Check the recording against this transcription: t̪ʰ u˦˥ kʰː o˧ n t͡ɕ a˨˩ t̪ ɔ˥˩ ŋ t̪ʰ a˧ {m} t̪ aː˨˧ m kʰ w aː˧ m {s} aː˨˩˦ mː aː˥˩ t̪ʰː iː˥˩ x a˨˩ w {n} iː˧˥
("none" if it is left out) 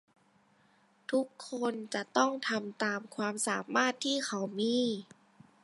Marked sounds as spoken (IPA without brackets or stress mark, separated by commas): m, s, m